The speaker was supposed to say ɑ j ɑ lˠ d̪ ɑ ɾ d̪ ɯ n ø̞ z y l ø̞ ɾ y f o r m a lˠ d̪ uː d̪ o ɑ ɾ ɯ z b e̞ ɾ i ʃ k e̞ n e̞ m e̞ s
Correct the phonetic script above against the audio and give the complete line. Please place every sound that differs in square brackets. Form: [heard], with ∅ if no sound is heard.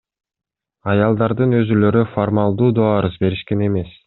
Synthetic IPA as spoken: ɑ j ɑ lˠ d̪ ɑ ɾ d̪ ɯ n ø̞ z y l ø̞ ɾ y f o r m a lˠ d̪ uː d̪ o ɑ ɾ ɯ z b e̞ ɾ i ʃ k e̞ n e̞ m e̞ s